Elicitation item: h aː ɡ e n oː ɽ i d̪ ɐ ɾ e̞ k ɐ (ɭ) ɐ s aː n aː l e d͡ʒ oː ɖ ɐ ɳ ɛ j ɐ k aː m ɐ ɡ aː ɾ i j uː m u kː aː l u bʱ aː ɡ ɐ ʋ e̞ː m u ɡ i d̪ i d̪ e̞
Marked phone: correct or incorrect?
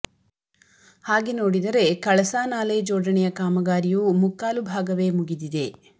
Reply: correct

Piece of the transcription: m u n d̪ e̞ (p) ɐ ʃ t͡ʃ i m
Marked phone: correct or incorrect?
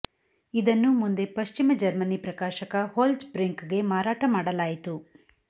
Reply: correct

